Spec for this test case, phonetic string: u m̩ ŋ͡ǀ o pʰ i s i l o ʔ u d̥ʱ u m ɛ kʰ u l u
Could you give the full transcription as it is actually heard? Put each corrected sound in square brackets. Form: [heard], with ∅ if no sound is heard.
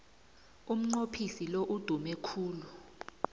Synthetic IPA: u m̩ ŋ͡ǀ o pʰ i s i l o ʔ u d̥ʱ u m ɛ kʰ [uː] l u